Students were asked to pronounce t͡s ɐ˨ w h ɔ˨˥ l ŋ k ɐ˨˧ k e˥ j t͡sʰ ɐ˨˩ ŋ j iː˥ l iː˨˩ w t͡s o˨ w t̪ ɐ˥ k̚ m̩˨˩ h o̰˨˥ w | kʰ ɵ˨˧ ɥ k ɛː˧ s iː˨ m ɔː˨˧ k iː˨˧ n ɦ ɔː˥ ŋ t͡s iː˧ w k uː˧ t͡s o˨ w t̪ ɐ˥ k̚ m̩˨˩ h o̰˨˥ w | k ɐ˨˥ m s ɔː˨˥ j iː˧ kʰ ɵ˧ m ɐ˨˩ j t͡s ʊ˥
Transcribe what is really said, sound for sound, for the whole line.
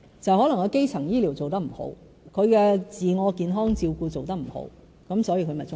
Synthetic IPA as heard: t͡s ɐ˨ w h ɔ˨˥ l ŋ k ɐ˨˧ k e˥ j t͡sʰ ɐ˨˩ ŋ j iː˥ l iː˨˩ w t͡s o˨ w t̪ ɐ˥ k̚ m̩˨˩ h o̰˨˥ w | kʰ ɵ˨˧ ɥ k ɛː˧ t͡s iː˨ ŋ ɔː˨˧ k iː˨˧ n ɦ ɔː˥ ŋ t͡s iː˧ w k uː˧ t͡s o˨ w t̪ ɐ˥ k̚ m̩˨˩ h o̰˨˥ w | k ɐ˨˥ m s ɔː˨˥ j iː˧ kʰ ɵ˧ m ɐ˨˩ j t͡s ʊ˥